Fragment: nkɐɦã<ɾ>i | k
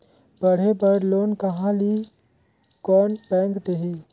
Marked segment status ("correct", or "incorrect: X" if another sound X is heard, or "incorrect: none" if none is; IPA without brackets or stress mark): incorrect: l